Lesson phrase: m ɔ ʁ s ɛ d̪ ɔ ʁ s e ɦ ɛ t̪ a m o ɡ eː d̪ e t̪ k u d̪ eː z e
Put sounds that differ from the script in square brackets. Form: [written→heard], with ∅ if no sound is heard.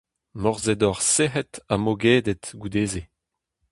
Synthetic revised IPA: m ɔ ʁ [s→z] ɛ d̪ ɔ ʁ s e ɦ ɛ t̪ a m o ɡ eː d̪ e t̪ [k→ɡ] u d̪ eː z e